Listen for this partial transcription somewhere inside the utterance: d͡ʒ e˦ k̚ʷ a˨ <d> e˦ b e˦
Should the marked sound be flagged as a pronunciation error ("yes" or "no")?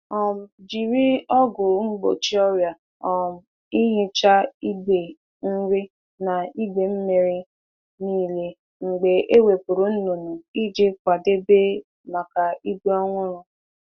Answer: no